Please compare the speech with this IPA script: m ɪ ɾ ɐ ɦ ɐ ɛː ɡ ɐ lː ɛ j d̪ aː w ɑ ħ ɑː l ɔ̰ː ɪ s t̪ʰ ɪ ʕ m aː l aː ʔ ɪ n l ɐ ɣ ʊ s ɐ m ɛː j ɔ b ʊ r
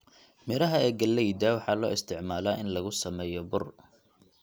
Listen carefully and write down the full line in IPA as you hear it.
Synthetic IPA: m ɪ ɾ ɐ ɦ ɐ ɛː ɡ ɐ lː ɛ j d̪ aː w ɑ ħ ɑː l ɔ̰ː ɪ s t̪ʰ ɪ ʕ m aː l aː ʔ ɪ n l ɐ ɣ ʊ s ɐ m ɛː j ɔ b ʊ r